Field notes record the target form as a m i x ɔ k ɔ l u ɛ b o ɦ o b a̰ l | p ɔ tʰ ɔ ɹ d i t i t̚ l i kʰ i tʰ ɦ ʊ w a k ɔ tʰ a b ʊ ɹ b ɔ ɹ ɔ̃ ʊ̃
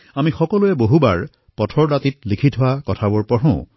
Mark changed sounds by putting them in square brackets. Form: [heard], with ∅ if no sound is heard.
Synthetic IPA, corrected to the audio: a m i x ɔ k ɔ l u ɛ b o ɦ [u] b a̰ [ɹ] | p ɔ tʰ ɔ ɹ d [a] t i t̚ l i kʰ i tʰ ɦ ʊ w a k ɔ tʰ a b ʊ ɹ [p] ɔ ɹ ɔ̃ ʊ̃